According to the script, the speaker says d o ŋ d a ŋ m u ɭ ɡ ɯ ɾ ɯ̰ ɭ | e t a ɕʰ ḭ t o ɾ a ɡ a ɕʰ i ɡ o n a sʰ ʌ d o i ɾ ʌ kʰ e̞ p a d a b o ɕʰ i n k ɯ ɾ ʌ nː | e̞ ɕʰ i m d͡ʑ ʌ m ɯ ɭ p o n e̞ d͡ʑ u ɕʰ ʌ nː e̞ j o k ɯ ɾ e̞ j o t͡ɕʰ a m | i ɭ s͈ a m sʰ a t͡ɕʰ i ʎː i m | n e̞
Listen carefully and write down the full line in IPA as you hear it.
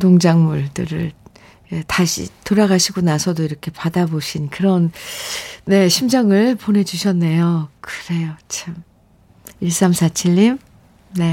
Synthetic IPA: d o ŋ d͡ʑ a ŋ m u ɭ d ɯ ɾ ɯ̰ ɭ | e t a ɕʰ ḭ t o ɾ a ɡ a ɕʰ i ɡ o n a sʰ ʌ d o i ɾ ʌ kʰ e̞ p a d a b o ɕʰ i n k ɯ ɾ ʌ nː | e̞ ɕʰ i m d͡ʑ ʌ ŋ ɯ ɭ p o n e̞ d͡ʑ u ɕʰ ʌ nː e̞ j o k ɯ ɾ e̞ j o t͡ɕʰ a m | i ɭ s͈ a m sʰ a t͡ɕʰ i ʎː i m | n e̞